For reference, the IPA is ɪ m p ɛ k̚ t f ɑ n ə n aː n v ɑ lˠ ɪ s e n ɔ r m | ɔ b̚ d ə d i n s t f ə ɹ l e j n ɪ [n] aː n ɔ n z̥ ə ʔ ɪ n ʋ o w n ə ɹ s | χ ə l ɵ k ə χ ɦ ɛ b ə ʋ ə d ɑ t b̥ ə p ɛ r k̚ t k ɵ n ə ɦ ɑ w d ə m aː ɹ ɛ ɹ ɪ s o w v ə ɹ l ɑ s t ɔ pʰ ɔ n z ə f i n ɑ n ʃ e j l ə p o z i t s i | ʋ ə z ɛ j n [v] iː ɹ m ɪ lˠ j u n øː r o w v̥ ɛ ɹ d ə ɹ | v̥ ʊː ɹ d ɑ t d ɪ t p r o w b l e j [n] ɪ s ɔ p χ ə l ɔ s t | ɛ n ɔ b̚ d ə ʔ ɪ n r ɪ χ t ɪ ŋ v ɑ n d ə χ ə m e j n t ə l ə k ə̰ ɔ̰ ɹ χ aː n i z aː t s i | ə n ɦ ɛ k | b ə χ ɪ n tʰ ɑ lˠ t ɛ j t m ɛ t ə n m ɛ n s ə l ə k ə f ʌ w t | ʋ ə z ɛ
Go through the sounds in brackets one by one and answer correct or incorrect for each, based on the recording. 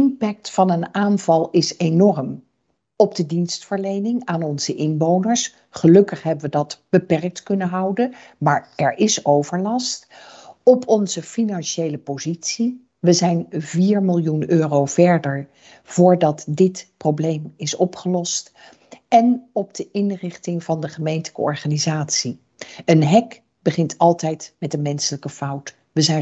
incorrect: ŋ, correct, incorrect: m

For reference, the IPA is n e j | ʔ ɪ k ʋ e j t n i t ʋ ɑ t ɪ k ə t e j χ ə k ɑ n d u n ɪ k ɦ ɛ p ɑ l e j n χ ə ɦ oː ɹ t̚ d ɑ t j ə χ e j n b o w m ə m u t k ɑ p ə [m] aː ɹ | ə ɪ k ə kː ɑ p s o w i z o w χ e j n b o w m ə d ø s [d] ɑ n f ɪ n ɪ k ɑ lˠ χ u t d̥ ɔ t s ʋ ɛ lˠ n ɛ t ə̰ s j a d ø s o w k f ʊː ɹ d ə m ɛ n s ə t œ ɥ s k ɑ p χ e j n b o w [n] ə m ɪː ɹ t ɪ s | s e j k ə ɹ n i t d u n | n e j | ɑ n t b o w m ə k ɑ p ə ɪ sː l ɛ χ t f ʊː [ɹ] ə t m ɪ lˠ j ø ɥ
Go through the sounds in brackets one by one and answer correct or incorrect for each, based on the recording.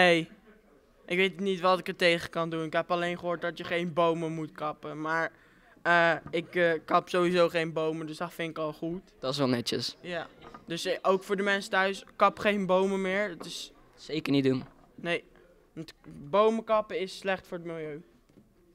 correct, correct, incorrect: m, correct

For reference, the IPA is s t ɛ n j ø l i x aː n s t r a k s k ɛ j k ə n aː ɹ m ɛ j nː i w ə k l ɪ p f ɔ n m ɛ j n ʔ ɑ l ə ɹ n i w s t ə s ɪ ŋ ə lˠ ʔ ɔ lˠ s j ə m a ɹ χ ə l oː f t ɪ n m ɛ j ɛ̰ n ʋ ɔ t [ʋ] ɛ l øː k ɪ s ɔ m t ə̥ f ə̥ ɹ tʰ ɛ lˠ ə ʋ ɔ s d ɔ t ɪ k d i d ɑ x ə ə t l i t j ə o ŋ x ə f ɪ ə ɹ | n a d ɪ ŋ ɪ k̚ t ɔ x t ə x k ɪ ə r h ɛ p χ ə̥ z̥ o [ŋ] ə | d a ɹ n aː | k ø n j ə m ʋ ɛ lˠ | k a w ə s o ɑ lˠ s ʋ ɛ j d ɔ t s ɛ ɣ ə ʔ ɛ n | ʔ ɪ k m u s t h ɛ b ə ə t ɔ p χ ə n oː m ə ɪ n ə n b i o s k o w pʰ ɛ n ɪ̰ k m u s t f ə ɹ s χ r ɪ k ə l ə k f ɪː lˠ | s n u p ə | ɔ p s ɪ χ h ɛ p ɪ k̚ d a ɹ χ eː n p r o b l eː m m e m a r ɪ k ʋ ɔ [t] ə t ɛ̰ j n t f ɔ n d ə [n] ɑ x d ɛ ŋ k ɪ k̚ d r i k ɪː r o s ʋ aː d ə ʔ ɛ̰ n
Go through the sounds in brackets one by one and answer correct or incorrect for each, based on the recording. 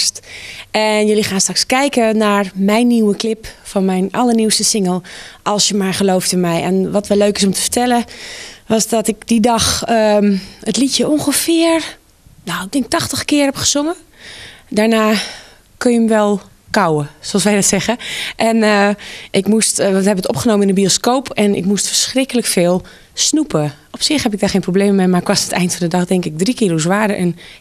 correct, correct, incorrect: s, incorrect: d

